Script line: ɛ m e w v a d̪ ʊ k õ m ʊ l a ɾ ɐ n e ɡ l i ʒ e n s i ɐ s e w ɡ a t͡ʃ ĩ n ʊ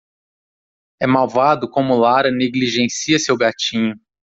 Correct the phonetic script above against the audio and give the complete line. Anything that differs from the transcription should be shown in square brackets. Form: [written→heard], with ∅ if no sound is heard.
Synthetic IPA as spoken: ɛ m [e→a] w v a d̪ ʊ k õ m ʊ l a ɾ ɐ n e ɡ l i ʒ [e→ẽ] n s i ɐ s e w ɡ a t͡ʃ ĩ [n→ɲ] ʊ